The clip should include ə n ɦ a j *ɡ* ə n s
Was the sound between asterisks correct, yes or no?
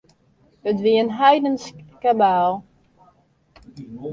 no